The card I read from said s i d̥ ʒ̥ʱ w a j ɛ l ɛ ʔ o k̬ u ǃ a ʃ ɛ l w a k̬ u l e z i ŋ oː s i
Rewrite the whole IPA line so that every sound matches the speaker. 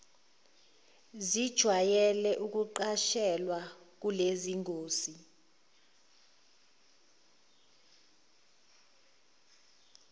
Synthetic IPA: z i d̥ ʒ̥ʱ w a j ɛ l ɛ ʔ u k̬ u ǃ a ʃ ɛ l w a k̬ u l e z i ŋ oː s i